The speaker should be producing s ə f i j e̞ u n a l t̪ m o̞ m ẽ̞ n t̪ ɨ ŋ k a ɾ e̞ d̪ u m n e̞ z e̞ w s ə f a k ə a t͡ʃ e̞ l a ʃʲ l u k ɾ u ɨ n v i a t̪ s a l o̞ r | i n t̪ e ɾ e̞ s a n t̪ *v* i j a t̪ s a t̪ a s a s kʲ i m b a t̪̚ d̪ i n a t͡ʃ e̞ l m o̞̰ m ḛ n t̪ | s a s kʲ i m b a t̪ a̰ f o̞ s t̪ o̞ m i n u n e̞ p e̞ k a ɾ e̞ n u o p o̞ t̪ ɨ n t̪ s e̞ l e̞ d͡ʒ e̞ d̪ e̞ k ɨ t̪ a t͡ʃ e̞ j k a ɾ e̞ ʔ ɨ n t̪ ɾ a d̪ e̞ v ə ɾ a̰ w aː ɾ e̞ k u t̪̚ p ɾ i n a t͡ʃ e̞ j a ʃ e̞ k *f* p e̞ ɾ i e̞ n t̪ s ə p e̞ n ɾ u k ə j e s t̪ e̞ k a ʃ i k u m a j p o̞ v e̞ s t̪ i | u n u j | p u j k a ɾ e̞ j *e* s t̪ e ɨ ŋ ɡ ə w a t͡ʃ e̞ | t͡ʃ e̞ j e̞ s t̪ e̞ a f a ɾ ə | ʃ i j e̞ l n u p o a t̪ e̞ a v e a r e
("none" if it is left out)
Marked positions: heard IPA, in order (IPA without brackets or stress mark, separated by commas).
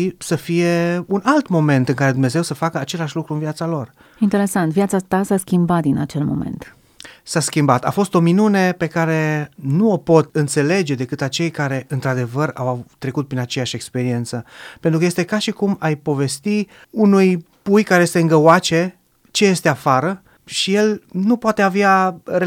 v, s, e